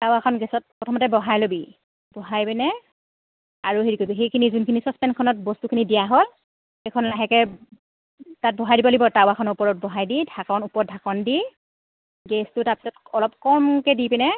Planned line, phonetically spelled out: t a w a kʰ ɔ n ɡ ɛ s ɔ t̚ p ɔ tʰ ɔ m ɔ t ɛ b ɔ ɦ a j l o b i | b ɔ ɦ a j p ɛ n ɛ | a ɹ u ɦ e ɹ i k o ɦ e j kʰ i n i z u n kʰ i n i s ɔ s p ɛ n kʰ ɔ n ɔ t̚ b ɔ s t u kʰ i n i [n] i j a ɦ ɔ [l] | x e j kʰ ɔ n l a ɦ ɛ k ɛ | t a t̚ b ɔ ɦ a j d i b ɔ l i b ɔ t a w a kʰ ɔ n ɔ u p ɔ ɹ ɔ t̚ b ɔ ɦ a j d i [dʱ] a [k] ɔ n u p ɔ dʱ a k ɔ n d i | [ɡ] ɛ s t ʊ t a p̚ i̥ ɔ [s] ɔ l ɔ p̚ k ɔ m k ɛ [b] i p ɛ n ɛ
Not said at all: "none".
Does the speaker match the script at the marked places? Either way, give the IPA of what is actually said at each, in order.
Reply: d, l, dʱ, k, ɡ, t, d

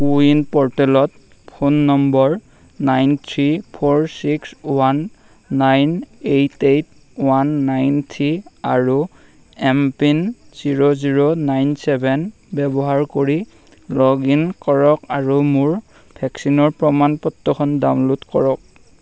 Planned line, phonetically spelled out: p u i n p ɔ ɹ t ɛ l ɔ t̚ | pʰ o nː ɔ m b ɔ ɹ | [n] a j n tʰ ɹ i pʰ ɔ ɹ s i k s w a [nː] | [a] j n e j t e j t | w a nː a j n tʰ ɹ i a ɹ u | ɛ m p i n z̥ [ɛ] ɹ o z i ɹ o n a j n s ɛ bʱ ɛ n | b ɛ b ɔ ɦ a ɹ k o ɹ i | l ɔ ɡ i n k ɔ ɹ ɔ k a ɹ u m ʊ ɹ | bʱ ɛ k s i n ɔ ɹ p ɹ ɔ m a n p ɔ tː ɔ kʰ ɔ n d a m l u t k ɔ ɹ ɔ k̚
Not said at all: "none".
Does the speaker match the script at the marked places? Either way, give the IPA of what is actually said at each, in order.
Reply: n, nː, a, i

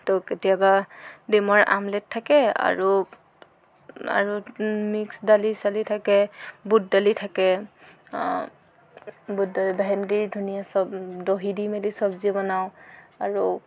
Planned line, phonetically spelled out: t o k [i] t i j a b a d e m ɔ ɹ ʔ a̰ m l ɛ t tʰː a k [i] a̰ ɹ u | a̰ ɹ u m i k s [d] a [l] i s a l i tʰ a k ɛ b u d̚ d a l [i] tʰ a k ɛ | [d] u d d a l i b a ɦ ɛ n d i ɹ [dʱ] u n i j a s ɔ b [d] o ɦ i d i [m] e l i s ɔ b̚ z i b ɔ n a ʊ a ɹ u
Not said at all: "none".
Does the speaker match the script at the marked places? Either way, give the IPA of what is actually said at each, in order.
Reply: e, ɛ, d, l, i, b, dʱ, d, m

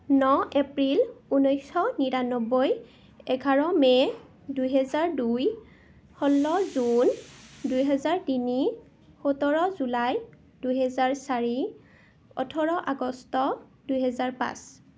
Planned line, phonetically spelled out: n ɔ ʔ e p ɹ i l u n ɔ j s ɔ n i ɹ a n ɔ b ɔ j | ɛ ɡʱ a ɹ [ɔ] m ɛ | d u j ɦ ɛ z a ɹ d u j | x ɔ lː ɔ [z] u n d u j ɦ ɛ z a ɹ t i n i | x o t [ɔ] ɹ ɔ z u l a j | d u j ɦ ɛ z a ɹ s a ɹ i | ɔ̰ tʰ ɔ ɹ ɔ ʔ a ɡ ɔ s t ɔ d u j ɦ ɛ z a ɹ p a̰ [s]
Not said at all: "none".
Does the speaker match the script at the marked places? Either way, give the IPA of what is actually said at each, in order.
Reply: ɔ, z, ɔ, s

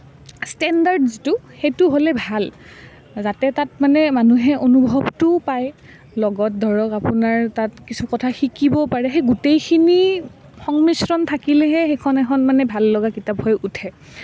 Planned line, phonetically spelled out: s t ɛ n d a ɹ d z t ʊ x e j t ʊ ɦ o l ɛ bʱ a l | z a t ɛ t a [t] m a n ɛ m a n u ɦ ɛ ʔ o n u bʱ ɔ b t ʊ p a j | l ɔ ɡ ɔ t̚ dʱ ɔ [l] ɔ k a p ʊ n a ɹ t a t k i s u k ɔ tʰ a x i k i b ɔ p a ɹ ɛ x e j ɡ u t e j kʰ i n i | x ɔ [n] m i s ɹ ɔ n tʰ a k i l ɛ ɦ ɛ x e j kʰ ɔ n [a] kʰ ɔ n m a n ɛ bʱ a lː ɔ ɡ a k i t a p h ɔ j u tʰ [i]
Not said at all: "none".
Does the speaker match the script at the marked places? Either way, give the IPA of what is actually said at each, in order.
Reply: t, ɹ, ŋ, ɛ, ɛ

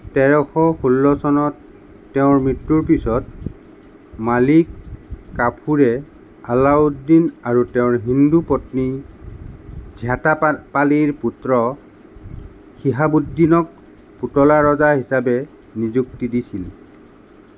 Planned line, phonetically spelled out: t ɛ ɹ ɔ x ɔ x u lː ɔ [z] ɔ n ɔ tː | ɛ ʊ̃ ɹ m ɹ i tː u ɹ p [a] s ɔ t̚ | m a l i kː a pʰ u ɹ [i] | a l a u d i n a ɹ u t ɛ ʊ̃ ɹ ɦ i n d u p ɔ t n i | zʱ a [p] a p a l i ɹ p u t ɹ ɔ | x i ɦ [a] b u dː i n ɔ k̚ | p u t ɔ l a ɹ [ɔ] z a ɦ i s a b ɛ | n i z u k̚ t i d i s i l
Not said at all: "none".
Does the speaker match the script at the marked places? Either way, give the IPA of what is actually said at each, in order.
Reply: s, i, ɛ, t, a, ɔ

